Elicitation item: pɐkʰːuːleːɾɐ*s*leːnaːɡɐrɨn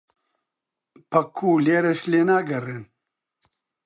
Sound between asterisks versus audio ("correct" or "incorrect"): incorrect